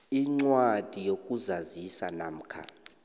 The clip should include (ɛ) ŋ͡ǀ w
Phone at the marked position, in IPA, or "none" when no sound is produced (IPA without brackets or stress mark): i